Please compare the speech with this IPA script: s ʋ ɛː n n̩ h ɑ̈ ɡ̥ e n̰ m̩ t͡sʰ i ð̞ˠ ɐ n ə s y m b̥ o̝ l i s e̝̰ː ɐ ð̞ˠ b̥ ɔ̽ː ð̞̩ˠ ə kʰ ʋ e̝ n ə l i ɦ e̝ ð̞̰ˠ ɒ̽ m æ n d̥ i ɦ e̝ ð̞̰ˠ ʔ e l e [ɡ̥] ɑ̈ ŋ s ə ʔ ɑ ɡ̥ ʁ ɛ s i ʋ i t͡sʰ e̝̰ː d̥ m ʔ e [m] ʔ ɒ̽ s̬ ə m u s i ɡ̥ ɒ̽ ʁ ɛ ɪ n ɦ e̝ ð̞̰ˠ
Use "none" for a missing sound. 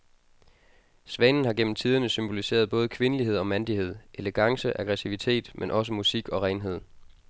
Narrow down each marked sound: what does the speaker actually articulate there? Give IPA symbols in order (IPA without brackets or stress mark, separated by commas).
ɡ̥, n